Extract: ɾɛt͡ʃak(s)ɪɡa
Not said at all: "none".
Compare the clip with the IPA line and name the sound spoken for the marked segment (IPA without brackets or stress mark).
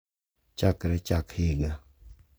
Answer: h